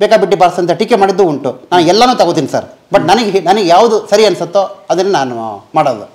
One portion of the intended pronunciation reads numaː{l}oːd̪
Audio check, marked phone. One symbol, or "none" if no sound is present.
ɽ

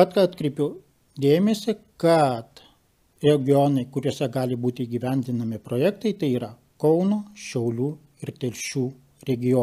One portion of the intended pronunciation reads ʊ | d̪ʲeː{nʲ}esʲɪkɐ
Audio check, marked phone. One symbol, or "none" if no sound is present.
mʲ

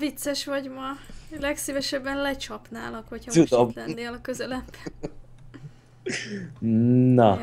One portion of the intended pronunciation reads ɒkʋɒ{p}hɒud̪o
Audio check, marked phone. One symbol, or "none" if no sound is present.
c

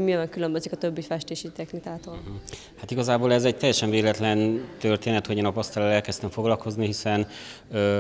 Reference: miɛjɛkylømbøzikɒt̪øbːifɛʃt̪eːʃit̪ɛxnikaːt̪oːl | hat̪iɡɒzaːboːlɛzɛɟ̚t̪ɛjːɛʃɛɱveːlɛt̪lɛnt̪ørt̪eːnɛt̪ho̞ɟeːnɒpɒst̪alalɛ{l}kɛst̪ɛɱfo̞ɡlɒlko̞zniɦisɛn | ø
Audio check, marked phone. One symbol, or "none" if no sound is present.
l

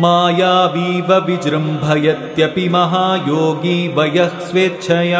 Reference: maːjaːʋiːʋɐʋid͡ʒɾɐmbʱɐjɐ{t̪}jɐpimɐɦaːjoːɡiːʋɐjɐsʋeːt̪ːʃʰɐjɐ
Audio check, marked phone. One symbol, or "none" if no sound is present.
t̪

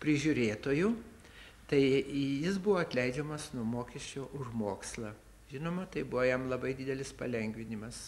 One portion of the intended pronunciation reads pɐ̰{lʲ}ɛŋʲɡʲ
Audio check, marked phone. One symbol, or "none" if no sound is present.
lʲ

